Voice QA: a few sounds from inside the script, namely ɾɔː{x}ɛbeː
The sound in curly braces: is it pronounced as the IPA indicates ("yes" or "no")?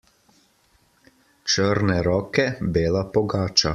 no